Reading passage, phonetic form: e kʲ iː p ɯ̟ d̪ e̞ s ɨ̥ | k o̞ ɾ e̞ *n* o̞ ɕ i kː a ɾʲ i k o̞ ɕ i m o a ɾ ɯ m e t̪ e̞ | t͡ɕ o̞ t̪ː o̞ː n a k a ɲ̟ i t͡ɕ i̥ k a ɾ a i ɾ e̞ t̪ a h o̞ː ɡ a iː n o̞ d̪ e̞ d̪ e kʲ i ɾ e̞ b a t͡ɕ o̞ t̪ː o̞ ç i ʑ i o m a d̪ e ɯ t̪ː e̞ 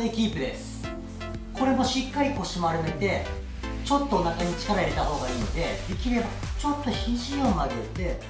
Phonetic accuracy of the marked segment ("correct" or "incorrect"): incorrect